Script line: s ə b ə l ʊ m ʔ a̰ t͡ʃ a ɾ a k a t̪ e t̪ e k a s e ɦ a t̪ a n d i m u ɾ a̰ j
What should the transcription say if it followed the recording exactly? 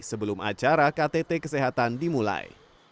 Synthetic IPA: s ə b ə l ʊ m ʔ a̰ t͡ʃ a ɾ a k a t̪ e t̪ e k ə s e ɦ a t̪ a n d i m u l a̰ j